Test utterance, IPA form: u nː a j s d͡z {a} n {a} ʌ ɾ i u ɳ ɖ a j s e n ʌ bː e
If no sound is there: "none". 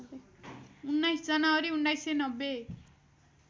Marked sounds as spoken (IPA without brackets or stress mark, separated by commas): ʌ, a